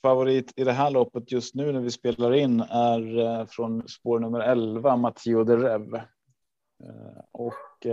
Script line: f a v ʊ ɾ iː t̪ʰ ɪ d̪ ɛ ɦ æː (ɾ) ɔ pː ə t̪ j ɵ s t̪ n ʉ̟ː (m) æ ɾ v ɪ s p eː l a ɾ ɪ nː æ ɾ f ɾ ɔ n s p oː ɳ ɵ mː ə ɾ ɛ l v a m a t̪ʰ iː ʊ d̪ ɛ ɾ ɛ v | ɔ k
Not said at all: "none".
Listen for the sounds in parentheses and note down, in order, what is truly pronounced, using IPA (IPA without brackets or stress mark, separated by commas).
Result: ɭ, n